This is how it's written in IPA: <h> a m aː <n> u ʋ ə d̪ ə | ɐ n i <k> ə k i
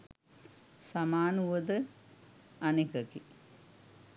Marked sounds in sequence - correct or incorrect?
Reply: incorrect: s, correct, correct

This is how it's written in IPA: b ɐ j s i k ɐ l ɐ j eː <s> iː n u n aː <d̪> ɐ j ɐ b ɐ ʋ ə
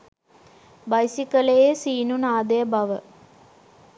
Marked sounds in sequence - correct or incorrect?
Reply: correct, correct

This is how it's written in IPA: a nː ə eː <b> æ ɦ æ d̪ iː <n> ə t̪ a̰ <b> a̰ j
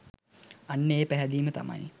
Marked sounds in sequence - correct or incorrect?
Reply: incorrect: p, incorrect: m, incorrect: m

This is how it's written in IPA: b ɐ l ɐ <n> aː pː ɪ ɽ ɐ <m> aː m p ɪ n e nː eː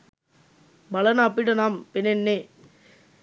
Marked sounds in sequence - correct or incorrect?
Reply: correct, incorrect: n

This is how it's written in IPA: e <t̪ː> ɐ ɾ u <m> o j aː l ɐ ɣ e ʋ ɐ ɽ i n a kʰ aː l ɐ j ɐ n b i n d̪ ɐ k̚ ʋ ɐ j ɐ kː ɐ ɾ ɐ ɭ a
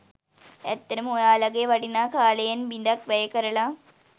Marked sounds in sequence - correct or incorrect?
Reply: correct, correct

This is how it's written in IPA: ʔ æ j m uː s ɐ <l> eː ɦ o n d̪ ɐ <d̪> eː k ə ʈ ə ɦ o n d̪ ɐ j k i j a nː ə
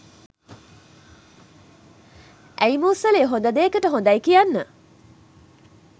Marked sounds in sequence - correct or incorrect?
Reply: correct, correct

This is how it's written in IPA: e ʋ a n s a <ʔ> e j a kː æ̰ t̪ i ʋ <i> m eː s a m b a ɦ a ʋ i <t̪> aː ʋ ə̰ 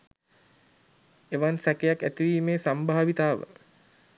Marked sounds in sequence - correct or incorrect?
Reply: incorrect: k, incorrect: iː, correct

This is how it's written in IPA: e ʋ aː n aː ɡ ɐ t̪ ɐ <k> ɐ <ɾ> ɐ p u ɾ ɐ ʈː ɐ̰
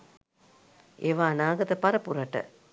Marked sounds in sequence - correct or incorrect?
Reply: incorrect: p, correct

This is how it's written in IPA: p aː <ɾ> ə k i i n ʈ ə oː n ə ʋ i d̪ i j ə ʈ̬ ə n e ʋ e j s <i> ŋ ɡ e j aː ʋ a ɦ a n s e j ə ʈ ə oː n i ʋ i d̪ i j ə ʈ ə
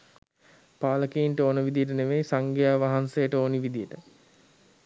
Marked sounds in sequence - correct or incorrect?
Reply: incorrect: l, incorrect: a

